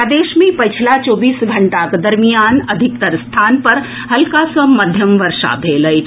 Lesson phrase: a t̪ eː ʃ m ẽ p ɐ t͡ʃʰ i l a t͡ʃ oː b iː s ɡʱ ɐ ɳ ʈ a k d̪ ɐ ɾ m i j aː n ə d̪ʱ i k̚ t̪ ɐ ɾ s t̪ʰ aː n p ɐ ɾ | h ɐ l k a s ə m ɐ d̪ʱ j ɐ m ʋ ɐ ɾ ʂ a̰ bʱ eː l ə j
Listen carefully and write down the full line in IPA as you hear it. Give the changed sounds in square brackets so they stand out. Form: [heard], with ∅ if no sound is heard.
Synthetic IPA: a [d̪] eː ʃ m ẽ p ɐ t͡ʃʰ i l a t͡ʃ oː b iː s ɡʱ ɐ ɳ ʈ a k d̪ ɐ ɾ m i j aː n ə d̪ʱ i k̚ t̪ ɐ ɾ s t̪ʰ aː n p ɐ ɾ | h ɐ l k a s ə m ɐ d̪ʱ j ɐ m ʋ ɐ ɾ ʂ a̰ bʱ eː l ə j